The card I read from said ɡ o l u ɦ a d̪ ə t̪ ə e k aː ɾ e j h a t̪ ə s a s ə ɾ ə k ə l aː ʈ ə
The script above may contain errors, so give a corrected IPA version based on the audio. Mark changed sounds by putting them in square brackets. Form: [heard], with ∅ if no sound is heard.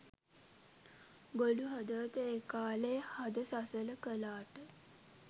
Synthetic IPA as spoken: ɡ o l u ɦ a d̪ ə t̪ ə e k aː [l] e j h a [d̪] ə s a s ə [l] ə k ə l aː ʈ ə